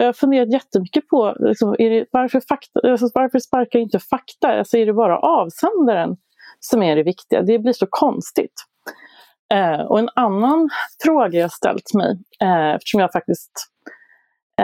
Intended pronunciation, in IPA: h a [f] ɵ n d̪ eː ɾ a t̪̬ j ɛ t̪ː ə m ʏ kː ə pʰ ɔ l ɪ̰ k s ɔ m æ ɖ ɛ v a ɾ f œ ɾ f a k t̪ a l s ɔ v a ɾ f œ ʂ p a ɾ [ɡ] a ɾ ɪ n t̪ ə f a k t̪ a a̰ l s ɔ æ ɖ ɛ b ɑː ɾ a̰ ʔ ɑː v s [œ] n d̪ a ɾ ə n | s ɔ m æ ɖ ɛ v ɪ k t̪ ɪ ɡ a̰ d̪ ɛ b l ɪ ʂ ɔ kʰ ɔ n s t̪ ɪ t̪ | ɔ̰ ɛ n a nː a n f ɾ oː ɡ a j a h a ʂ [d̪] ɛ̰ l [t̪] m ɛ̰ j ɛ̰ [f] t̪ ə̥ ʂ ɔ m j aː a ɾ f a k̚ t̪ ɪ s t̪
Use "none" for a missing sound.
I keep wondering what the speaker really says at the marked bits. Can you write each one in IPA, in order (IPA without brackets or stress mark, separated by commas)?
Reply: f, k, ɛ, t̪, t̪, f